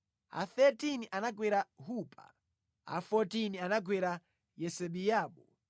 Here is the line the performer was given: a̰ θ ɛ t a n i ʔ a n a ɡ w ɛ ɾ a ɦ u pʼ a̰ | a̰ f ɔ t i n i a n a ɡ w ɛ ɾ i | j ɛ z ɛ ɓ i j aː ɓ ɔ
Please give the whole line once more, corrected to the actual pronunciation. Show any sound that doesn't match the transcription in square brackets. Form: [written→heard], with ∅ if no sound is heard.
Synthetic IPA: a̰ θ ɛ t [a→i] n i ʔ a n a ɡ w ɛ ɾ a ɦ u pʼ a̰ | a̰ f ɔ t i n i a n a ɡ w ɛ ɾ [i→a] | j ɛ [z→s] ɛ ɓ i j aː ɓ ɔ